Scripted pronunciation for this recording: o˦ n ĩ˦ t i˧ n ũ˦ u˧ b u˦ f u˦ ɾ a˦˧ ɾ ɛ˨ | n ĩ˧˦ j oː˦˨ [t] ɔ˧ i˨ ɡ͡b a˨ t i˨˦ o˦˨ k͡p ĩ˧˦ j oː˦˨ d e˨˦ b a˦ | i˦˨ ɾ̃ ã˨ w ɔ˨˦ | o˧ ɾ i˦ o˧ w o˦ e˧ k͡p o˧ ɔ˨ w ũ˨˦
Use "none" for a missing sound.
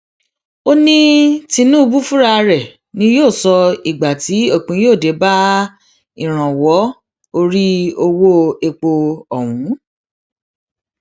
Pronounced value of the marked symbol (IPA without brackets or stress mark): s